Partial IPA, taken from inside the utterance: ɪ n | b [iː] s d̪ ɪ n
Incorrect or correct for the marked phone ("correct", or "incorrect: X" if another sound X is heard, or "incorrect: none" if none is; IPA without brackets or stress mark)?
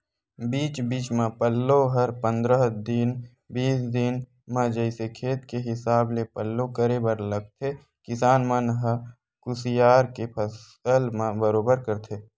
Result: correct